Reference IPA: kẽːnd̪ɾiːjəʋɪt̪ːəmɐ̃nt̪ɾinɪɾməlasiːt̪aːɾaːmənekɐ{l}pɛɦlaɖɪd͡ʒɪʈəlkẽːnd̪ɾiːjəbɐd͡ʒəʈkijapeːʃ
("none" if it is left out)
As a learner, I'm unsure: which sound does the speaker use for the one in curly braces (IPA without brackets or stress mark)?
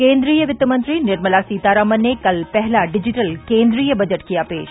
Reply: l